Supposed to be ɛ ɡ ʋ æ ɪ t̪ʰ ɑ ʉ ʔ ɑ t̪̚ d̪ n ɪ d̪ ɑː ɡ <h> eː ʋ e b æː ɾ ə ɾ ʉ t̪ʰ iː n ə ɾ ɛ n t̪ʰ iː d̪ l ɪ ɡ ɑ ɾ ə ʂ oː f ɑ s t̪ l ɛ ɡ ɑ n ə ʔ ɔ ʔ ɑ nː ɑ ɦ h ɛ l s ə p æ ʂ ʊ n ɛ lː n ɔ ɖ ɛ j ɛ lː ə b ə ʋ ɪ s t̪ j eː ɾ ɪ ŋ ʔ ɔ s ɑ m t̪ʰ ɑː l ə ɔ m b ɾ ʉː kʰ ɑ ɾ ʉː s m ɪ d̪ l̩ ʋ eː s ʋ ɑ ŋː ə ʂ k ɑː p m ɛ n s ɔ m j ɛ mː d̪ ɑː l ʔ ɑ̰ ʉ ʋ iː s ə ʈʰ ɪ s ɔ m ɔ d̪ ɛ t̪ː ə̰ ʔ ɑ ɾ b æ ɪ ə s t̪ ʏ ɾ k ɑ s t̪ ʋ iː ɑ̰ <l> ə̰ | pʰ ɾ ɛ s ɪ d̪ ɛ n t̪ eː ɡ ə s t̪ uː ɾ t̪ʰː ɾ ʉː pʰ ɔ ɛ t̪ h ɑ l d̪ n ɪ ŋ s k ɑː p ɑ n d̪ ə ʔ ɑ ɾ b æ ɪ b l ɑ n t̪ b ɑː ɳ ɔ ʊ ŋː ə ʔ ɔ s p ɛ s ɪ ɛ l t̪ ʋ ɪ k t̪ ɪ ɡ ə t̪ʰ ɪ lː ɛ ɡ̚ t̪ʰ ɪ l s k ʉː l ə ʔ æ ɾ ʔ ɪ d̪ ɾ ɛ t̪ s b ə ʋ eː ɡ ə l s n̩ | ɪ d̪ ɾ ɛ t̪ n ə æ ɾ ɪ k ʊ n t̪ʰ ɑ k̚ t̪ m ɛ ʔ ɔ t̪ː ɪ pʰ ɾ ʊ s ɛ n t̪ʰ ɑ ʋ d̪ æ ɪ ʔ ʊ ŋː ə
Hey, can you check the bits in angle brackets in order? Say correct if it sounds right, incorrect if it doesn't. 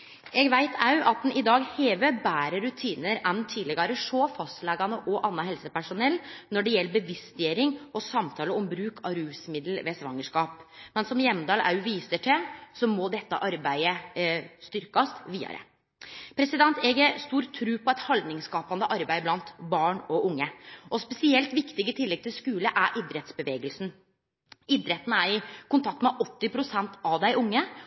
correct, incorrect: ɾ

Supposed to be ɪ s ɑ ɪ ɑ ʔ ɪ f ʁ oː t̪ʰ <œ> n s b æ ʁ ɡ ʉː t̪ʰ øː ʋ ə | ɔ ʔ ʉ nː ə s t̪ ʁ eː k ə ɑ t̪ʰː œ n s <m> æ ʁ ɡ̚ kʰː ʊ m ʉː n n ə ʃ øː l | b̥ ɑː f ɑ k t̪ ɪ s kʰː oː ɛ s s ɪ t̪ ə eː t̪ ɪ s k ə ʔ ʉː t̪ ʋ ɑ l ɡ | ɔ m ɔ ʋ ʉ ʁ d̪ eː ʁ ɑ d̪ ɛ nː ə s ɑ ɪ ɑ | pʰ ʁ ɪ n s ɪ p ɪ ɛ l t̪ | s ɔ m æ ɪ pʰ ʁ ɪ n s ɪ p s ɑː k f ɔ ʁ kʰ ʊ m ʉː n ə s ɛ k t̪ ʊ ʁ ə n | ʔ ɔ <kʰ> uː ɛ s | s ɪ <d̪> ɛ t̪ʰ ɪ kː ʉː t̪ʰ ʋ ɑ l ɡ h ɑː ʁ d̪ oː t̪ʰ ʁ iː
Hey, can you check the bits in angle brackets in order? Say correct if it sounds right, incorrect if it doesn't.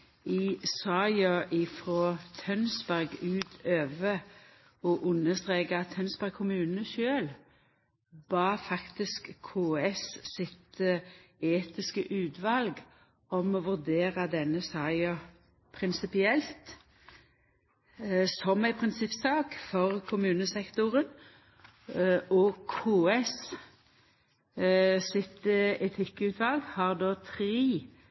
correct, incorrect: b, correct, incorrect: t̪

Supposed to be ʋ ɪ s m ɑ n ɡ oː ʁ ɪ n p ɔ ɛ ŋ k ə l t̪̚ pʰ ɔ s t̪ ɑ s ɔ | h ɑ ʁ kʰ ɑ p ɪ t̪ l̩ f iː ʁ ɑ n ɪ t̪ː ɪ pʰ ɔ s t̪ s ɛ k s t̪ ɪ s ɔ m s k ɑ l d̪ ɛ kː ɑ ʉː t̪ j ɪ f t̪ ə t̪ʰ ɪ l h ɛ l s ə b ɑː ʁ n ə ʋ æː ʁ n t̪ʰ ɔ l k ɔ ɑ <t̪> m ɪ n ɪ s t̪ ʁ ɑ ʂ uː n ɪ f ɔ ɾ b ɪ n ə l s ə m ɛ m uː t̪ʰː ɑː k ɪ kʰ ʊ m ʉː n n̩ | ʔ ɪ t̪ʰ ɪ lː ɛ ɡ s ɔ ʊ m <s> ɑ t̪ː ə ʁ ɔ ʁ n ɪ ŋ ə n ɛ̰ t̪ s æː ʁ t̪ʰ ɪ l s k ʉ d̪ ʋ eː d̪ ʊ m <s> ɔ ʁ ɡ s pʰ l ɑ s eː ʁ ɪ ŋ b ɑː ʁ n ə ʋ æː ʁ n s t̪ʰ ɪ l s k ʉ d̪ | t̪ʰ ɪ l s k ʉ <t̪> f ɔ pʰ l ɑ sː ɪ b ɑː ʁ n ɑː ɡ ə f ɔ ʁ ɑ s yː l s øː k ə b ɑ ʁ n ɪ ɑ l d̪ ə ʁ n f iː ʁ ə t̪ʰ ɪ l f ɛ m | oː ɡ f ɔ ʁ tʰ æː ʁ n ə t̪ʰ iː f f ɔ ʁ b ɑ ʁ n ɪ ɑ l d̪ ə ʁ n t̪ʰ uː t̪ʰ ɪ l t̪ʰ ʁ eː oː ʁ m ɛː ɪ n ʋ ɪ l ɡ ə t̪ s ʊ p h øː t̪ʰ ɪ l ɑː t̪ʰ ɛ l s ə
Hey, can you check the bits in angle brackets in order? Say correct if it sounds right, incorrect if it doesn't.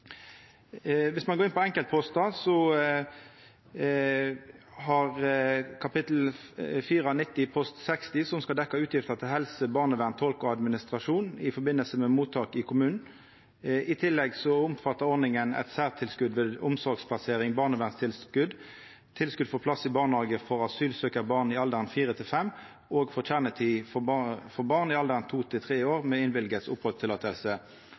incorrect: d̪, incorrect: f, correct, incorrect: d̪

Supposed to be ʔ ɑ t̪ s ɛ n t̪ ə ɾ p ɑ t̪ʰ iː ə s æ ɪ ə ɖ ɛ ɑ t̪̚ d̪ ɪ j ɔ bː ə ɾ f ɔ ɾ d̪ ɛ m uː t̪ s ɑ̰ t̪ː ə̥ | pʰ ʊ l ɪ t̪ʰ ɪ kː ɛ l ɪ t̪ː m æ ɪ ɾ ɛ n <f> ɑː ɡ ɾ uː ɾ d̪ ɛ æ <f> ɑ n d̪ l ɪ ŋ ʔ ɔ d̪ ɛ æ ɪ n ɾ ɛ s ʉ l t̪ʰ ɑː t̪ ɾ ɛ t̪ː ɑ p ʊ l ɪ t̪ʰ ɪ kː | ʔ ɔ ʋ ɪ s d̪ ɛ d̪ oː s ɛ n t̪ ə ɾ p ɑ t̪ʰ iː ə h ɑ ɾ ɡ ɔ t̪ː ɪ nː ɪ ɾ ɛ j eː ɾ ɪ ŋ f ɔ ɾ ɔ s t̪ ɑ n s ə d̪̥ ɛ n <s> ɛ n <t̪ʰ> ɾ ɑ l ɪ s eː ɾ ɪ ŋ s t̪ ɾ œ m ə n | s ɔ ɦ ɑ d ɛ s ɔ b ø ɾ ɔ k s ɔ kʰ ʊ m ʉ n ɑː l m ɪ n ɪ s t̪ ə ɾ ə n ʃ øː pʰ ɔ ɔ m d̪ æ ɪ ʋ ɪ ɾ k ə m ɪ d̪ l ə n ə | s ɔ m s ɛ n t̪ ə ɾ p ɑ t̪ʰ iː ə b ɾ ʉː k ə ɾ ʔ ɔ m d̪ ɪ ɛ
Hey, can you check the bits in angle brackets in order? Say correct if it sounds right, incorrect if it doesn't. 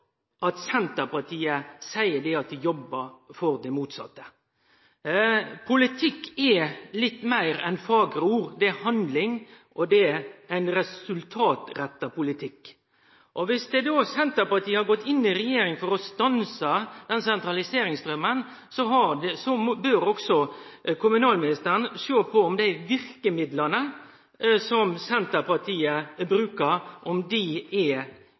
correct, incorrect: h, correct, incorrect: t̪

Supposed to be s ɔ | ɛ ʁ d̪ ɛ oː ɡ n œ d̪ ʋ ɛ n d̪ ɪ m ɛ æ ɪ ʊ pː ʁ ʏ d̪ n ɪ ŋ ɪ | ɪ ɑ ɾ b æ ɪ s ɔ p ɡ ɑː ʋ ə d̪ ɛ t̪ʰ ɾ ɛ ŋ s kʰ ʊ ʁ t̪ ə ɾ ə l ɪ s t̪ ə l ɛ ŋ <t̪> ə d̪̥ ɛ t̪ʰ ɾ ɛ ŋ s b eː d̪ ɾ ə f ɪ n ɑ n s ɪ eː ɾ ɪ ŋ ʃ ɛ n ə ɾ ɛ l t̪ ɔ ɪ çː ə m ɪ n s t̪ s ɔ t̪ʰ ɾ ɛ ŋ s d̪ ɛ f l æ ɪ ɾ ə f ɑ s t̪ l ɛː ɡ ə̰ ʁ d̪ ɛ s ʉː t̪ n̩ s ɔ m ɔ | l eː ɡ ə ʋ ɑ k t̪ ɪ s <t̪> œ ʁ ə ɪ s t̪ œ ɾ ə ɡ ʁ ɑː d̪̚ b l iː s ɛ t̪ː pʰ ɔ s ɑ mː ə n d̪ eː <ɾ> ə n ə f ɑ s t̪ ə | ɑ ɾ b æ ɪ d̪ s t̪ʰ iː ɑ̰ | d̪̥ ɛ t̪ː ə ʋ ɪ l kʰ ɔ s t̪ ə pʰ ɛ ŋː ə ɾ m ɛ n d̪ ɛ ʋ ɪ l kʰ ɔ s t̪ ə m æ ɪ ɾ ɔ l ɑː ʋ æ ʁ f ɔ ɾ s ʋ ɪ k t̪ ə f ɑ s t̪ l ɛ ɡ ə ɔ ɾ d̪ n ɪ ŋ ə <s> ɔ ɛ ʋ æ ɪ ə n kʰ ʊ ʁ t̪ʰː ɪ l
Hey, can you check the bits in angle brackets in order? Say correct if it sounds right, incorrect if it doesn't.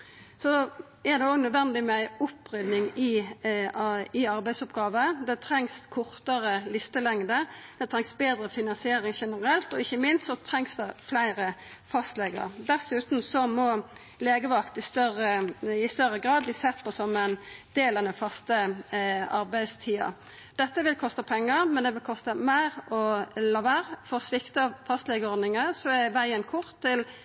incorrect: d̪, correct, incorrect: l, correct

